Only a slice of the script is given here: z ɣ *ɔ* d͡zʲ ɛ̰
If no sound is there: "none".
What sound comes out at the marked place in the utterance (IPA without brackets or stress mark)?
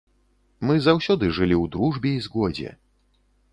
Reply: ɔ